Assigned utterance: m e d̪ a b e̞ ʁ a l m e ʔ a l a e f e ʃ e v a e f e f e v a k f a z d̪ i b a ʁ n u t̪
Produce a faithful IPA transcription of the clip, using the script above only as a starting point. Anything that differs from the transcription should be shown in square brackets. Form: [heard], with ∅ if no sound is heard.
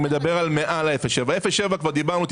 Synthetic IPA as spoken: m e d̪ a b e̞ ʁ a l m e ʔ a l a e f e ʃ e v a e f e [ʃ] e v a k [v] a [ʁ] d̪ i b a ʁ n u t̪